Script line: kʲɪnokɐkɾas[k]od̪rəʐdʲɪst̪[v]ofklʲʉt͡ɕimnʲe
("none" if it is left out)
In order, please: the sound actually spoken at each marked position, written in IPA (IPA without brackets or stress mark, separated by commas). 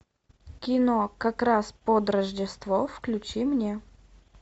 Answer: p, v